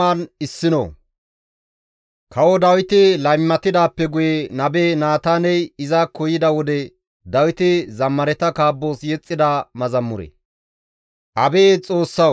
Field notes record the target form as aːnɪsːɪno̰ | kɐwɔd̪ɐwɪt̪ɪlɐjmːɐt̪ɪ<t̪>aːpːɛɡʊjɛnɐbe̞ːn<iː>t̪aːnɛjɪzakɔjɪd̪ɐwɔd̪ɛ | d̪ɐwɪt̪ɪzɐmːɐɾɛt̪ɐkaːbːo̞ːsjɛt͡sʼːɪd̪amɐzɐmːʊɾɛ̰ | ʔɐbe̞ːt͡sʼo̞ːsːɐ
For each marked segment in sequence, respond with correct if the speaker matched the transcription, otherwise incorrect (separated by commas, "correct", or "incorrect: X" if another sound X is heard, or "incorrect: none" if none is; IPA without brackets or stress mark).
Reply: incorrect: d̪, incorrect: aː